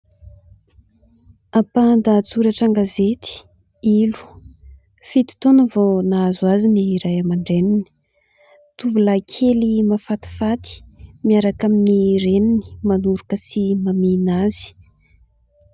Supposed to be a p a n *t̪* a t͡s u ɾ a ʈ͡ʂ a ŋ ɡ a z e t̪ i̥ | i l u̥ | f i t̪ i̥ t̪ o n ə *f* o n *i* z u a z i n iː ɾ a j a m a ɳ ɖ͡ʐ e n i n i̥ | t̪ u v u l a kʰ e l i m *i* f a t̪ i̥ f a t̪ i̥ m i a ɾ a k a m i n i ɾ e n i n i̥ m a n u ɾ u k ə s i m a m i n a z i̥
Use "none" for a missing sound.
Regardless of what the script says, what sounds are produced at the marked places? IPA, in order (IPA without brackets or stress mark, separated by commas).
d̪, v, a, a